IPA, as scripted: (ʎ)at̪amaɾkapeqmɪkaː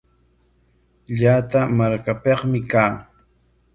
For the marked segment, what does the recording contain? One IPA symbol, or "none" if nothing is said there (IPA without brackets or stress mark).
ʎ